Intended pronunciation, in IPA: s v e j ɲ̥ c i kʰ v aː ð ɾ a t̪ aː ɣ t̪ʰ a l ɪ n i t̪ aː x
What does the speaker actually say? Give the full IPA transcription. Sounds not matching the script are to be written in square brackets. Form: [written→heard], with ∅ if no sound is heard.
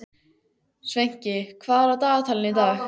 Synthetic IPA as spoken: s v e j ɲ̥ c [i→ɪ] kʰ v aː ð ɾ a t̪ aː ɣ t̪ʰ a l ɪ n i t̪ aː x